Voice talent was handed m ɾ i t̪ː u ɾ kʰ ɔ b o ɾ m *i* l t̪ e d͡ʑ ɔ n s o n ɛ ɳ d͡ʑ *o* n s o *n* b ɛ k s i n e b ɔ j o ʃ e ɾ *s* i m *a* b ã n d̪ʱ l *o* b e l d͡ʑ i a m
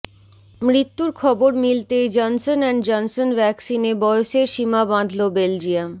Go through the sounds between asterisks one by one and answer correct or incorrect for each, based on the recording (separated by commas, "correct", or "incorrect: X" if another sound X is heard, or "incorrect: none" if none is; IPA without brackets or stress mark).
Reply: correct, incorrect: ɔ, correct, incorrect: ʃ, correct, correct